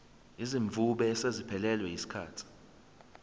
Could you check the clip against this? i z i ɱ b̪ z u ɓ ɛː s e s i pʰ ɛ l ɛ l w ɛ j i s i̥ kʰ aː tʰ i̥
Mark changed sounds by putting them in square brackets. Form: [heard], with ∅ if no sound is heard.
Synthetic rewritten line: i z i ɱ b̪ [v] u ɓ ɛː s e [z] i pʰ ɛ l ɛ l w ɛ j i s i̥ kʰ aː tʰ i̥